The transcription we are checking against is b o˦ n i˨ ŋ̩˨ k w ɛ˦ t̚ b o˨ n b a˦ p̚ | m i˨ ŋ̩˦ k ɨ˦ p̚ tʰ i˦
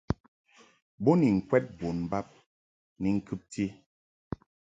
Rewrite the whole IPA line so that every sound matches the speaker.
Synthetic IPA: b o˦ n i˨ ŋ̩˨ k w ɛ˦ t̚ b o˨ n b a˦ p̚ | n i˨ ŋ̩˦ k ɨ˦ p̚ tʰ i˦